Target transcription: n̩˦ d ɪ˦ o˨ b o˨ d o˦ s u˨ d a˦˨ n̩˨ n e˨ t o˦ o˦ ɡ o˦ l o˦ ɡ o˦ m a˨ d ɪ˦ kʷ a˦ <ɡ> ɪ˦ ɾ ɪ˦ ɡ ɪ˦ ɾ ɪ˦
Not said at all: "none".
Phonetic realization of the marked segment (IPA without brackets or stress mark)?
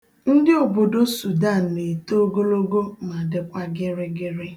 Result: ɡ